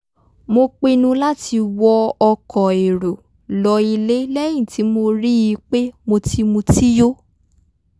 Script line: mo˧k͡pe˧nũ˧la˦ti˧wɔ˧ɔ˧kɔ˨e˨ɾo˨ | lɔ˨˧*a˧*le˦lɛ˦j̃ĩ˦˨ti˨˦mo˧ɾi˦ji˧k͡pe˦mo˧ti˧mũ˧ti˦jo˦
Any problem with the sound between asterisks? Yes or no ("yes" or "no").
yes